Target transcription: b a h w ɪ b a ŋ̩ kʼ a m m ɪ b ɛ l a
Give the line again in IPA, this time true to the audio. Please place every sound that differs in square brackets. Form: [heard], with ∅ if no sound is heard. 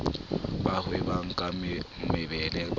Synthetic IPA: b a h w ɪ b a ŋ̩ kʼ a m m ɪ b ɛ l [ɛ]